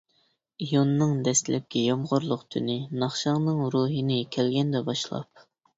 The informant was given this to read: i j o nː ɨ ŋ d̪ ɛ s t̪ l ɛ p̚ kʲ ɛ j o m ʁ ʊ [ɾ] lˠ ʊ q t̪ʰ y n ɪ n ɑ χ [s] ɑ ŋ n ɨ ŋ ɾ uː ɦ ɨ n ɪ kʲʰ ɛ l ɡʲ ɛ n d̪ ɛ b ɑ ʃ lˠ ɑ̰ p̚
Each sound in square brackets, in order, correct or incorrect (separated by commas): correct, incorrect